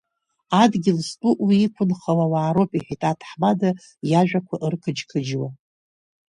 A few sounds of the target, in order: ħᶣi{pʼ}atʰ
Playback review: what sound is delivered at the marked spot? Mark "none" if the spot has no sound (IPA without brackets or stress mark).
tʼ